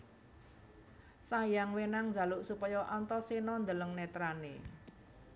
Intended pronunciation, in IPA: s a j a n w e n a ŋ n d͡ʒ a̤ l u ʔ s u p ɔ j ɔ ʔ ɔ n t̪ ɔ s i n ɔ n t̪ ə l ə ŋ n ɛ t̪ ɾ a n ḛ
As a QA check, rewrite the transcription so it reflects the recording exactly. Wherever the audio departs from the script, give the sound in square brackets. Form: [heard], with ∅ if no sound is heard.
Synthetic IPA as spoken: s a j a [ŋ] w e n a ŋ n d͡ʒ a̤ l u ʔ s u p ɔ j ɔ ʔ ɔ n t̪ ɔ s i n ɔ n [d̪] ə l ə ŋ n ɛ t̪ ɾ a n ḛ